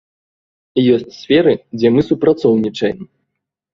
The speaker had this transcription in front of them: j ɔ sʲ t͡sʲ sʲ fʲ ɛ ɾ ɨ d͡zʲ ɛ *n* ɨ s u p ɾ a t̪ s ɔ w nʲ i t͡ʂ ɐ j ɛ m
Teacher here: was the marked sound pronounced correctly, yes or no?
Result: no